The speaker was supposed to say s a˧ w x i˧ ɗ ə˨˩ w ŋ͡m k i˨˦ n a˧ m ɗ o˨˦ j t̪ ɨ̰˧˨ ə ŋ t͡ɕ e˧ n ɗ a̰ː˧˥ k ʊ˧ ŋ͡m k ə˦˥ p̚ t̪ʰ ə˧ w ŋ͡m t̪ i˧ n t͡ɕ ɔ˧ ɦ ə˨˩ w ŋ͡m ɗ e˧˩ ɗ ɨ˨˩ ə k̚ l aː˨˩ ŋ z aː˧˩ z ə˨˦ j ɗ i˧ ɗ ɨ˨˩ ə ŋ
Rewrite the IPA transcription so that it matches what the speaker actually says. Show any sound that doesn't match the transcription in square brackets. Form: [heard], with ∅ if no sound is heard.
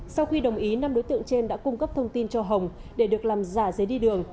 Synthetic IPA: s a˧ w x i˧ ɗ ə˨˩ w ŋ͡m [ʔ] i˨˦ n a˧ m ɗ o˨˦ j t̪ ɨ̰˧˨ ə ŋ t͡ɕ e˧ n ɗ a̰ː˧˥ k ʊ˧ ŋ͡m k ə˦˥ p̚ t̪ʰ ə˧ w ŋ͡m t̪ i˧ n t͡ɕ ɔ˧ ɦ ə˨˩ w ŋ͡m ɗ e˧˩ ɗ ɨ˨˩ ə k̚ l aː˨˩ [m] z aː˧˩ z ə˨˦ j ɗ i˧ ɗ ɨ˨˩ ə ŋ